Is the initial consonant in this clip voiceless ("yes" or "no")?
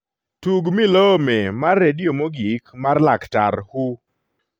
yes